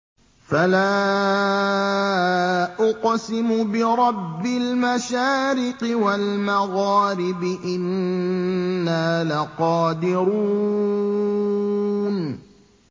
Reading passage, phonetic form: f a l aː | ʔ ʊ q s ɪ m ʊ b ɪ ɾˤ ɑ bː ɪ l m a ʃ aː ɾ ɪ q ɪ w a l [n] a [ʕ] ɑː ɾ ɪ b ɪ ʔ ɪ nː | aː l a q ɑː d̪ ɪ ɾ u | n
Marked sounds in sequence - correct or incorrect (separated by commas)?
incorrect, incorrect